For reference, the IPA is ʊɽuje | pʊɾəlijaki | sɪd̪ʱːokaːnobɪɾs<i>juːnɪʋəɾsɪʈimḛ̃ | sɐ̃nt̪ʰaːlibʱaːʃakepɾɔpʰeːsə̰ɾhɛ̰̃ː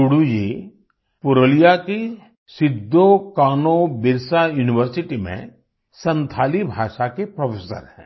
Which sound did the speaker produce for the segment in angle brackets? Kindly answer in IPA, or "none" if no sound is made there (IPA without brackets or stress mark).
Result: a